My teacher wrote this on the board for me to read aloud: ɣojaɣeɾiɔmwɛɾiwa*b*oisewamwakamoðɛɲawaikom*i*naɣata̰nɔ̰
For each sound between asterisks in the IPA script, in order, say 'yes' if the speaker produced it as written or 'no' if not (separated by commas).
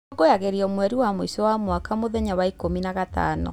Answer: no, yes